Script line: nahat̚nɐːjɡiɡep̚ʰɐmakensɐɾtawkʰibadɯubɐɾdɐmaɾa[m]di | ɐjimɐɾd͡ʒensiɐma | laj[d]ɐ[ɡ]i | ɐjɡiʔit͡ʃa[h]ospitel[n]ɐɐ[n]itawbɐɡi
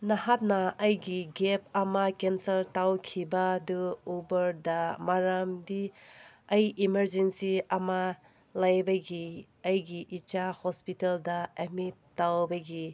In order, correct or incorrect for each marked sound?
correct, incorrect: b, correct, correct, incorrect: d, incorrect: m

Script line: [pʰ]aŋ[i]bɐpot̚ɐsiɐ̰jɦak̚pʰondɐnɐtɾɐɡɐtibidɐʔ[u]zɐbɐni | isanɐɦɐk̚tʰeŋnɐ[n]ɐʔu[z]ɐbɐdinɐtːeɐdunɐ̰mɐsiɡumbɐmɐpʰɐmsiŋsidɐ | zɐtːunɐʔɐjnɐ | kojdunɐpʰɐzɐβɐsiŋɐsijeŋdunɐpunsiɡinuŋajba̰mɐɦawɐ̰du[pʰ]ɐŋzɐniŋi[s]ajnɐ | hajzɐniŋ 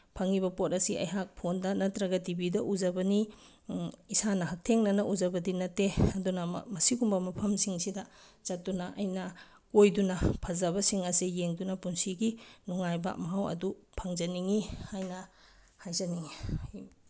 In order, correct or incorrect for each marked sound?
correct, correct, correct, correct, correct, correct, incorrect: h

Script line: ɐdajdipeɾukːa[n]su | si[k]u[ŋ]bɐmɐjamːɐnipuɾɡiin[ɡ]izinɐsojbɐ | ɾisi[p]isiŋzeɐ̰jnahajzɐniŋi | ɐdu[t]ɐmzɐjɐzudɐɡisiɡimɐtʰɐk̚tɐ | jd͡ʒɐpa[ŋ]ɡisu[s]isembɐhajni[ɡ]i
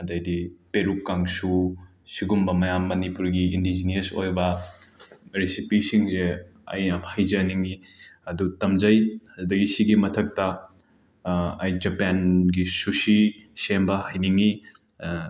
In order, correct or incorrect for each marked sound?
incorrect: ŋ, incorrect: ɡ, incorrect: m, incorrect: d, correct, correct, incorrect: n, correct, incorrect: ŋ

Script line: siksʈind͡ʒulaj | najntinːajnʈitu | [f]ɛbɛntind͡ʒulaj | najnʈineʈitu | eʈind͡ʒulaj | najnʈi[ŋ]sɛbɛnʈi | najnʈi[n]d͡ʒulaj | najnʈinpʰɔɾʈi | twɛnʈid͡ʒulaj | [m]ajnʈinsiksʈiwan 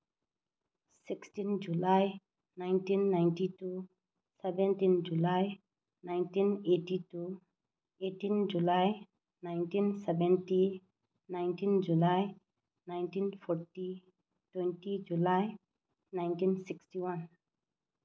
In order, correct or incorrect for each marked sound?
incorrect: s, incorrect: n, correct, incorrect: n

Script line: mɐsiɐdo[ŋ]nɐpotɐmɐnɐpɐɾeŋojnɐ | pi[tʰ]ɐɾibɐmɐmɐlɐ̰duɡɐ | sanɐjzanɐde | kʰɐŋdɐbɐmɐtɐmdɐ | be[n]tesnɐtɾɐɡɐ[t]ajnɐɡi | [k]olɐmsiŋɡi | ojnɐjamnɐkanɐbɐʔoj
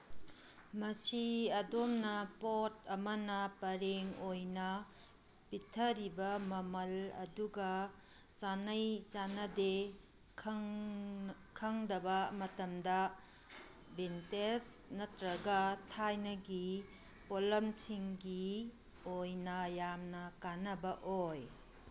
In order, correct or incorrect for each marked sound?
incorrect: m, correct, correct, incorrect: tʰ, incorrect: p

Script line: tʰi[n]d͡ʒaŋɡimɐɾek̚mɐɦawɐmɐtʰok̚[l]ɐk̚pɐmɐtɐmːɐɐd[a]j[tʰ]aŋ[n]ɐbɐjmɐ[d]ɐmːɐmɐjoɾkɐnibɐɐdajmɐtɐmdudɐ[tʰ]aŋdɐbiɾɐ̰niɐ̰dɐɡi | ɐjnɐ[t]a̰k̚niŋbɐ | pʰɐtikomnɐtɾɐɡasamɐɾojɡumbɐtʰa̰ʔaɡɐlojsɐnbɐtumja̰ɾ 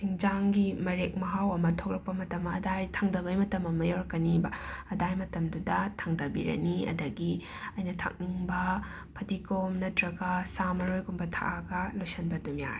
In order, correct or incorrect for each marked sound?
incorrect: ŋ, incorrect: ɾ, correct, correct, incorrect: d, incorrect: t, correct, incorrect: tʰ

